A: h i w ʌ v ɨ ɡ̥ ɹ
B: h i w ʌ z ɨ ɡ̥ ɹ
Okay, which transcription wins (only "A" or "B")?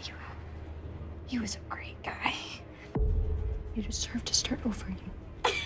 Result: B